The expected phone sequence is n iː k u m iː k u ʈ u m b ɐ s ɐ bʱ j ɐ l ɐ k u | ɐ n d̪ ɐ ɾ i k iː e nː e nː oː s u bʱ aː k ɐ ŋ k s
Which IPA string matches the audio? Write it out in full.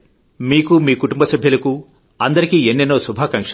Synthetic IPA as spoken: m iː k u m iː k u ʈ u m b ɐ s ɐ bʱ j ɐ l ɐ k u | ɐ n d̪ ɐ ɾ i k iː e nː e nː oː s u bʱ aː k ɐ ŋ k ʂ